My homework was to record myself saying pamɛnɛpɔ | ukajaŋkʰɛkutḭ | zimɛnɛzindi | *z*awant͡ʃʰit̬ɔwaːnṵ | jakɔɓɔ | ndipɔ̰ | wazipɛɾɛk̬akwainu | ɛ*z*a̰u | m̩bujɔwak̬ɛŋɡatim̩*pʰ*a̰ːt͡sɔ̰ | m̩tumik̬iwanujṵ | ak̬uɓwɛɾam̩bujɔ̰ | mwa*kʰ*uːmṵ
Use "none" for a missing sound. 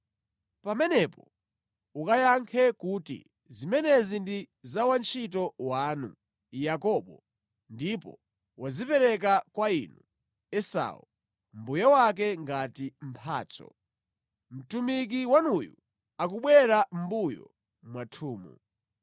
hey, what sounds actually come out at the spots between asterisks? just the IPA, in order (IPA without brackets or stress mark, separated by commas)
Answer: z, s, pʰ, tʰ